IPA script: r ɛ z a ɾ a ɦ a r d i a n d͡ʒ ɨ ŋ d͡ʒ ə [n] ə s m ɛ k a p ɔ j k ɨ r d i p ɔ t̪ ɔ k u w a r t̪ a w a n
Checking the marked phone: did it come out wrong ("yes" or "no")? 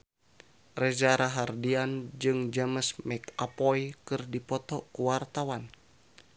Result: yes